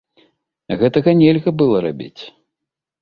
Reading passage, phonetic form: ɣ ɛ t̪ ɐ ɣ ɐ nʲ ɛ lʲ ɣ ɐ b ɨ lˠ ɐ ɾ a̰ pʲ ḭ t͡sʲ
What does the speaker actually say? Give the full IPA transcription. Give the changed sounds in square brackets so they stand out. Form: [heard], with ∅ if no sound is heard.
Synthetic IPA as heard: ɣ ɛ t̪ ɐ ɣ ɐ nʲ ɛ lʲ ɣ ɐ b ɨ lˠ ɐ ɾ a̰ [bʲ] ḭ t͡sʲ